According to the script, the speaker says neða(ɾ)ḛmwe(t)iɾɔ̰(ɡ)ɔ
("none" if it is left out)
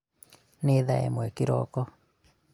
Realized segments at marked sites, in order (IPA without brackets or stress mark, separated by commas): none, k, k